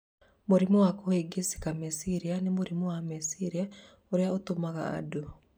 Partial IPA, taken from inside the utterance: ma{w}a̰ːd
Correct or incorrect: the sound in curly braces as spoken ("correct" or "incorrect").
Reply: incorrect